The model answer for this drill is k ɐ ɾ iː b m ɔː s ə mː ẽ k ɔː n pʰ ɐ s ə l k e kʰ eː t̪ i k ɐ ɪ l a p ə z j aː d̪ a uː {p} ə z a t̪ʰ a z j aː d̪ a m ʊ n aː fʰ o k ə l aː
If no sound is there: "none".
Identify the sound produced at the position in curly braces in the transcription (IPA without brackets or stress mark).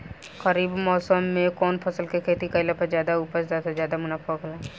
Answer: p